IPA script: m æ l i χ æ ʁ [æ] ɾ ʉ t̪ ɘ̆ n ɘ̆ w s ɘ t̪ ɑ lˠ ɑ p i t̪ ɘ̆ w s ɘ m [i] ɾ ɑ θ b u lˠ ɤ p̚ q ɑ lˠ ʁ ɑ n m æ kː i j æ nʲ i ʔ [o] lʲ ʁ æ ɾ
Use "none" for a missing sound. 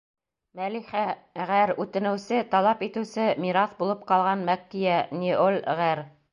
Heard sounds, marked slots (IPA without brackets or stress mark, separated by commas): æ, i, o